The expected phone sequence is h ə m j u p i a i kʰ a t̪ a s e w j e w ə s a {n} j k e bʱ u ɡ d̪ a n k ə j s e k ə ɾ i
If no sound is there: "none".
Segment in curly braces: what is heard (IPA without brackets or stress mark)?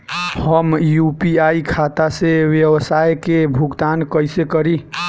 none